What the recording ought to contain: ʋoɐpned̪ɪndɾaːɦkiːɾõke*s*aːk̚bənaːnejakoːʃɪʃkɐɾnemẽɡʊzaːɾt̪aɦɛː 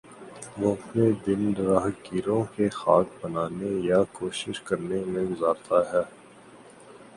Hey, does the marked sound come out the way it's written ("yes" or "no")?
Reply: no